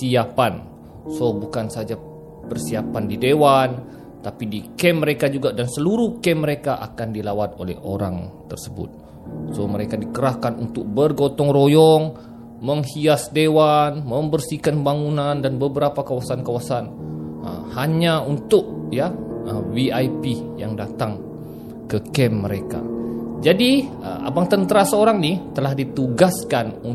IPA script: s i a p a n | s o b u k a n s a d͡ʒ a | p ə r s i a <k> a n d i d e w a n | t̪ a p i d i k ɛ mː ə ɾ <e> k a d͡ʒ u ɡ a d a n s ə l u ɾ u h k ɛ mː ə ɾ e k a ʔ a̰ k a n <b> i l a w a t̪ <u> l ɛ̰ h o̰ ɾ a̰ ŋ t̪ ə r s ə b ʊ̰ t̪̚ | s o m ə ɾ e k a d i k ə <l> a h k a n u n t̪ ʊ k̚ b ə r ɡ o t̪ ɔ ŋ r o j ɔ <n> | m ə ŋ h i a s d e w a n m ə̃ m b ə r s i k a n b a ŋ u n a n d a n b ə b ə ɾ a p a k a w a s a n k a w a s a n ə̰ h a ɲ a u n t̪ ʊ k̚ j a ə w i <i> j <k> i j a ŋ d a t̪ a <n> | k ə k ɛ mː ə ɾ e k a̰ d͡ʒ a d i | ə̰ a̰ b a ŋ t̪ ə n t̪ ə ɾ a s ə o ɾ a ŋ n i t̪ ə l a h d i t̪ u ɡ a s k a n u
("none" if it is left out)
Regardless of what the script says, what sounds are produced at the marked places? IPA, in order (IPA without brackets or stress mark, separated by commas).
p, e, d, o, ɾ, ŋ, a, p, ŋ